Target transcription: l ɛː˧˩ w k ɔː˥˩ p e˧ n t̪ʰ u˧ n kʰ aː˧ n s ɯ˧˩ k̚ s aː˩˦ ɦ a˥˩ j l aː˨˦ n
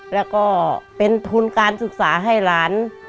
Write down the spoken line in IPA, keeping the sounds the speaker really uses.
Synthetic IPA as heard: l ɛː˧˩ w k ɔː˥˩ p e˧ n t̪ʰ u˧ n k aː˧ n s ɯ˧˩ k̚ s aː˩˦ ɦ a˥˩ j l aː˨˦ n